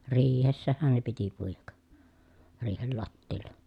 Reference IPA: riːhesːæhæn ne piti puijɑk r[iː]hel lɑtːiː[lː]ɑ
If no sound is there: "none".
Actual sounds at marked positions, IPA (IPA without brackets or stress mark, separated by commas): iː, lː